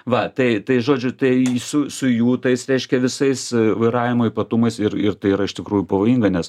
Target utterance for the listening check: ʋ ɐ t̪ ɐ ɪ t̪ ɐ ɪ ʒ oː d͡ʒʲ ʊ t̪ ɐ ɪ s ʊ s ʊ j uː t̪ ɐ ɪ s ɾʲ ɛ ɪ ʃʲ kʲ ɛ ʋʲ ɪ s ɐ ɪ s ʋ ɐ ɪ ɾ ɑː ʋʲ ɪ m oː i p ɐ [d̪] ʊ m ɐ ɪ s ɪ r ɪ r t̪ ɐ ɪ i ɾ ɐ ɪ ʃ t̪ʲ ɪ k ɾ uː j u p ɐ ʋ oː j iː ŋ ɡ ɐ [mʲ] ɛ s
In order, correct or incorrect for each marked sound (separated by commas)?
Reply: incorrect, incorrect